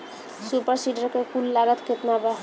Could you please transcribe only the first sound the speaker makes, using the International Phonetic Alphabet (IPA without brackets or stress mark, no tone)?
s